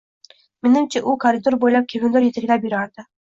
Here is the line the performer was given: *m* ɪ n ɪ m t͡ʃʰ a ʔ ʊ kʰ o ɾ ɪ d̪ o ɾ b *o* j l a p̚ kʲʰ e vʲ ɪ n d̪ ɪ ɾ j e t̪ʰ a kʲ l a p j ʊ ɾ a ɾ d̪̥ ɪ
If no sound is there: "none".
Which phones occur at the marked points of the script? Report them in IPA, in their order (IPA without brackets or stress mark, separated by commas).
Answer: m, o